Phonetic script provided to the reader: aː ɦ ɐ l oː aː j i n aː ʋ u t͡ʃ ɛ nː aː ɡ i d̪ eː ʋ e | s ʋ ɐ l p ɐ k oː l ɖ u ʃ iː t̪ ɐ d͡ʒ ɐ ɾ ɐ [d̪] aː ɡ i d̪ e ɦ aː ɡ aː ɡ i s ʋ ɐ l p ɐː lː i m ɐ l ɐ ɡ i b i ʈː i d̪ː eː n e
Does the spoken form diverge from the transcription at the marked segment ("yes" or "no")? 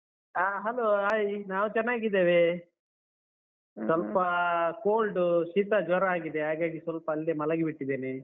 yes